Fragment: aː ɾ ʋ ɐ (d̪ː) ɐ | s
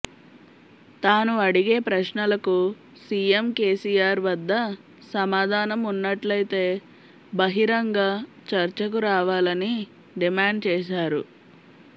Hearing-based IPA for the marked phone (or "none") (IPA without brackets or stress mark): d̪ː